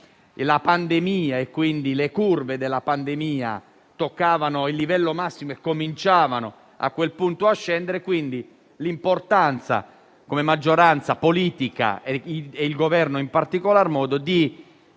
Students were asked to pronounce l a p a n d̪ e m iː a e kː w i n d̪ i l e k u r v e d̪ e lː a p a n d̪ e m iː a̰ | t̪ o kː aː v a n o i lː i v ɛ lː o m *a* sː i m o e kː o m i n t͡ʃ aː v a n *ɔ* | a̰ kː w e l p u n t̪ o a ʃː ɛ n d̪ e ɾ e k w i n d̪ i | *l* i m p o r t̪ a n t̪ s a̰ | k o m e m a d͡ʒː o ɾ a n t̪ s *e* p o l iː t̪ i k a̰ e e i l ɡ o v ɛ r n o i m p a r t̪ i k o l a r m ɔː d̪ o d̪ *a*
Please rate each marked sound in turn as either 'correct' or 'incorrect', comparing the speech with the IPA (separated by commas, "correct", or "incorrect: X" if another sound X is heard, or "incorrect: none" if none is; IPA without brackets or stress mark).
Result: correct, incorrect: o, correct, incorrect: a, incorrect: i